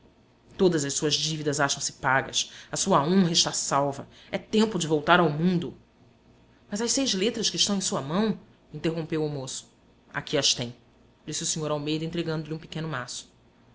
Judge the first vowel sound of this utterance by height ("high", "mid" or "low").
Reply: mid